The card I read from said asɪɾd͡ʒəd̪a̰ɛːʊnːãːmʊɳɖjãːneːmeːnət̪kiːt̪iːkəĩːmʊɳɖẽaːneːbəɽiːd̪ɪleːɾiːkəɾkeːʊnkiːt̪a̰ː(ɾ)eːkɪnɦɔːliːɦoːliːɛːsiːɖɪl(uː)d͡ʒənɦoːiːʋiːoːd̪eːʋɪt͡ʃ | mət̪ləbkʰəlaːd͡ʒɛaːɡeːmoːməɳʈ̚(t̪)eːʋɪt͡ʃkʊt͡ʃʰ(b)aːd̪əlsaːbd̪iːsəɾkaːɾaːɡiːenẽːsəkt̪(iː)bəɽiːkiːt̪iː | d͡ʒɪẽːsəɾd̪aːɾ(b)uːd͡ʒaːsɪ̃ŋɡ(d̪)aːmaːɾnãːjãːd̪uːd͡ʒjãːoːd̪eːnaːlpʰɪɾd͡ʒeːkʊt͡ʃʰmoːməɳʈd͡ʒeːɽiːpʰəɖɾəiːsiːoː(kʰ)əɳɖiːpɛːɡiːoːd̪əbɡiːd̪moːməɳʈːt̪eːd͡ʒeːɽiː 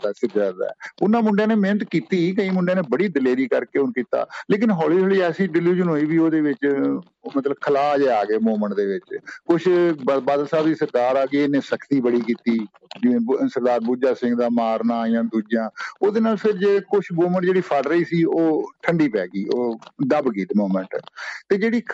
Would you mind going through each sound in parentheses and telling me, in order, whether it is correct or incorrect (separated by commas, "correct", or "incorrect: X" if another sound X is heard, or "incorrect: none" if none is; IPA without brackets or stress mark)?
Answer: incorrect: l, correct, incorrect: d̪, correct, correct, correct, correct, incorrect: ʈʰ